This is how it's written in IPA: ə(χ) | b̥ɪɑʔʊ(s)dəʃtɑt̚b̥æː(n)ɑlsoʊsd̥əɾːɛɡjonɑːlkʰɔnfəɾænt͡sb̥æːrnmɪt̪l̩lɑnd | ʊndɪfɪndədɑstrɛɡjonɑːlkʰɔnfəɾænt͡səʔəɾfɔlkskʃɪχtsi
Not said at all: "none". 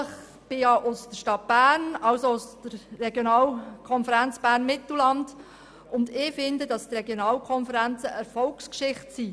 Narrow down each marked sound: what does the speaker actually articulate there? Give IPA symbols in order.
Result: χ, s, n

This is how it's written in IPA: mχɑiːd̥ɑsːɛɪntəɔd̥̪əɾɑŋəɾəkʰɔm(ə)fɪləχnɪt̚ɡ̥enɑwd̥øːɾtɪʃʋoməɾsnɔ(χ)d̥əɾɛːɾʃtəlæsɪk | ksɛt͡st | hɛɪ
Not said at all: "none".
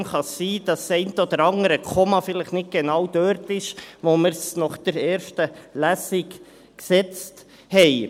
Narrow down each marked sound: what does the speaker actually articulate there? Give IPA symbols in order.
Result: ɑ, χ

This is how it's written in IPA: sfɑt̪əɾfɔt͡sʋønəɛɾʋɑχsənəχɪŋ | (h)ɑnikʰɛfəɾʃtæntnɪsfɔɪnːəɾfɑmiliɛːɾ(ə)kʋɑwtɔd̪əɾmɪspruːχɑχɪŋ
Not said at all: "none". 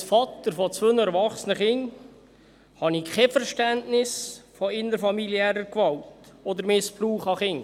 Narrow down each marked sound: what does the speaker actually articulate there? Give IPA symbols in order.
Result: h, ə

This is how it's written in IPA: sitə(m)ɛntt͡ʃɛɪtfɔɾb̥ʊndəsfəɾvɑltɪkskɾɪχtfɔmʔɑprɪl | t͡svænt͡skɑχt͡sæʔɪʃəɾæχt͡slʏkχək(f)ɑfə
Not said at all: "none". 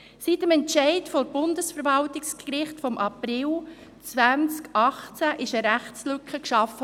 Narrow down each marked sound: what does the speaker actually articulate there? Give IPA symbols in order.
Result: m, ʃ

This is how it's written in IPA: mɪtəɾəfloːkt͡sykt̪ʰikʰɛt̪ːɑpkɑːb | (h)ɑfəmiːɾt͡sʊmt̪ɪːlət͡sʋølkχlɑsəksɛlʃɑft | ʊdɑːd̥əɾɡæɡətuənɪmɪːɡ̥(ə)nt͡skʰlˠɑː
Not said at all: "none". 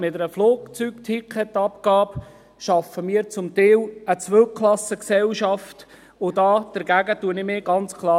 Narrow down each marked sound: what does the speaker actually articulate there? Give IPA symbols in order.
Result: ʃ, ɑ

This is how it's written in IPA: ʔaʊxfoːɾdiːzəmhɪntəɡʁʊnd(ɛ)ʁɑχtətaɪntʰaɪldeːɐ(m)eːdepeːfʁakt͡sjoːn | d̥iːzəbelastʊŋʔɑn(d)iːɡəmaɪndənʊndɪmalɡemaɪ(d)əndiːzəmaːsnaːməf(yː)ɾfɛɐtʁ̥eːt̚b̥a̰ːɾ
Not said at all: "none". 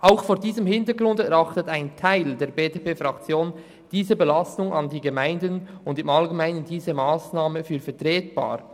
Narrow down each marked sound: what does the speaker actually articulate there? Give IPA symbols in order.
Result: ɛ, b, d, n, yː

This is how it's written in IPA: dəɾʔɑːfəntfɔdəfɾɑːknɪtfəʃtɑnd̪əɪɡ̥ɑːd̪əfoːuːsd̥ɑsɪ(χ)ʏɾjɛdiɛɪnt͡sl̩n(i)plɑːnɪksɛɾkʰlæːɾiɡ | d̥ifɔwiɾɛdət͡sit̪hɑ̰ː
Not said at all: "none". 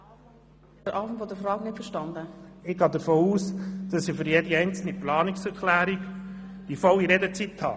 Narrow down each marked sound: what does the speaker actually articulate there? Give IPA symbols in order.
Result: f, i

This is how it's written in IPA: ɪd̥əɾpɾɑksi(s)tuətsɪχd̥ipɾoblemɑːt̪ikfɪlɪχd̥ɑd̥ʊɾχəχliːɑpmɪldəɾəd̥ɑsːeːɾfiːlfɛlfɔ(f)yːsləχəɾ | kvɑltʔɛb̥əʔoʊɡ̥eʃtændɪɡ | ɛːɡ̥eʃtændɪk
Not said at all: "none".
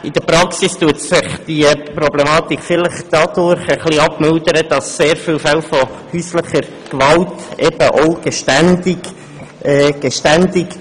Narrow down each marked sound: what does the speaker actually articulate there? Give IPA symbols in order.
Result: s, h

